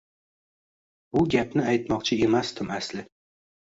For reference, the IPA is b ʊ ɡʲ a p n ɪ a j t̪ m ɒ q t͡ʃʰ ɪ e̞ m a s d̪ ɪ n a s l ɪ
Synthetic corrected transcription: b ʊ ɡʲ a p n ɪ a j t̪ m ɒ q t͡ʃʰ ɪ e̞ m a s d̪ ɪ m a s l ɪ